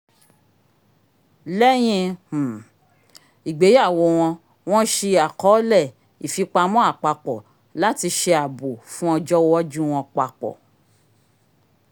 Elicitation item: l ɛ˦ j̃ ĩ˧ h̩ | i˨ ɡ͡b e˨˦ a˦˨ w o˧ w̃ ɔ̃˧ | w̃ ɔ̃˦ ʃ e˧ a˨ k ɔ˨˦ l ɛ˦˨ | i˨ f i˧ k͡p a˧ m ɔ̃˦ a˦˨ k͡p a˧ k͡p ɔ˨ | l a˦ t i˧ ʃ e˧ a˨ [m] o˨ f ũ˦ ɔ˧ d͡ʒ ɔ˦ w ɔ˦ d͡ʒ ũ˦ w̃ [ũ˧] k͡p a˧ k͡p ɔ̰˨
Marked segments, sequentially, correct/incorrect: incorrect, incorrect

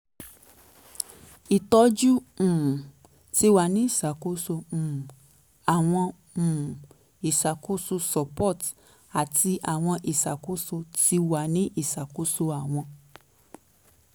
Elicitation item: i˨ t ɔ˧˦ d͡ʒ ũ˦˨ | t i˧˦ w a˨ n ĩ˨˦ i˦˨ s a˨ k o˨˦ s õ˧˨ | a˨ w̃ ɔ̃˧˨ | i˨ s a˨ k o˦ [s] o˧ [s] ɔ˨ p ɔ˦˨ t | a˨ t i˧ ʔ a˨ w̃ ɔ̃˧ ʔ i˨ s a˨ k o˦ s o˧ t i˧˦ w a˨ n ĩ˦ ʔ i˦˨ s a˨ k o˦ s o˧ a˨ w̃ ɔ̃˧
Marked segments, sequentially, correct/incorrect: correct, correct

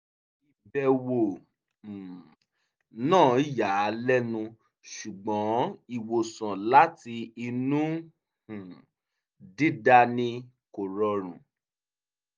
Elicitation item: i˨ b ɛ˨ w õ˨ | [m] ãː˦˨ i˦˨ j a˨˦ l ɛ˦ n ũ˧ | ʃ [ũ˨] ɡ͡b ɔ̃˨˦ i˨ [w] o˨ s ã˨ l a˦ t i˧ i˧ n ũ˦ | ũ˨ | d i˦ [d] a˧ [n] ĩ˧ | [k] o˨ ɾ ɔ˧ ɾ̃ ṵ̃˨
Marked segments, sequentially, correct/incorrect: incorrect, incorrect, correct, correct, correct, correct

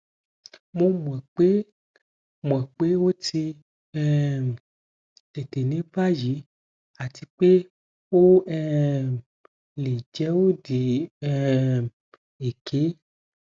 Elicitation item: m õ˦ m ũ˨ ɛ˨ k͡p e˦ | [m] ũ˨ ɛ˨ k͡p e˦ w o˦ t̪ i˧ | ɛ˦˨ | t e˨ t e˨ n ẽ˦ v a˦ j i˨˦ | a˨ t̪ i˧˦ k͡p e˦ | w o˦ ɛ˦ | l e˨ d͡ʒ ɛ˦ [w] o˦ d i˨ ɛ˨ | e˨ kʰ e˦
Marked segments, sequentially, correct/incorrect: correct, correct

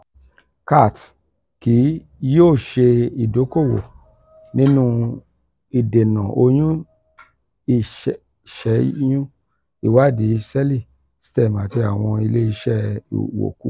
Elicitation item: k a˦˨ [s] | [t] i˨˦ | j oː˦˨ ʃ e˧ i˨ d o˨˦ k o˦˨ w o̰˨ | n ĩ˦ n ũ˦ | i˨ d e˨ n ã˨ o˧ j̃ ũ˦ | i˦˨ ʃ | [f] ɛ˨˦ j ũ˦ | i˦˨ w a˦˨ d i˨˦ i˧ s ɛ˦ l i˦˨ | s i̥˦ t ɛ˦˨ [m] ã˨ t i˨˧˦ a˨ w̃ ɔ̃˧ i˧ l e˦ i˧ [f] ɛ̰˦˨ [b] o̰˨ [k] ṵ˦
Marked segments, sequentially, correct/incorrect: incorrect, incorrect, incorrect, correct, incorrect, incorrect, correct

